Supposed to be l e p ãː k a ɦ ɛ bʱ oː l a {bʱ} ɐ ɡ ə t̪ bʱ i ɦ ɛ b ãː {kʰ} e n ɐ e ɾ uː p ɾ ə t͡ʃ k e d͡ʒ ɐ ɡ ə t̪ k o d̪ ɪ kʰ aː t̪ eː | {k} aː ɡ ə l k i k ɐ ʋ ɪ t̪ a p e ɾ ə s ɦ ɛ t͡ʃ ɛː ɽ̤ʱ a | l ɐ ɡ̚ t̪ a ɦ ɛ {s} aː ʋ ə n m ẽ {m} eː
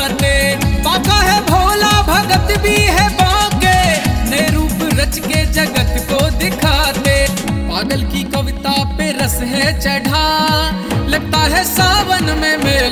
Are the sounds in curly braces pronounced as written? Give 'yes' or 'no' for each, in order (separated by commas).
yes, no, no, yes, yes